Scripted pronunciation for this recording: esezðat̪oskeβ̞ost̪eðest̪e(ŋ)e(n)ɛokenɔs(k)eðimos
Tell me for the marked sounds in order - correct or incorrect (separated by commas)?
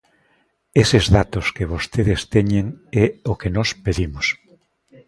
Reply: incorrect, incorrect, incorrect